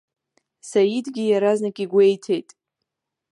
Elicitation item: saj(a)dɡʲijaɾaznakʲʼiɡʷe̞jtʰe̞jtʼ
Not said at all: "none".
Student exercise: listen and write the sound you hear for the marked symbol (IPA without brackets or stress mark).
i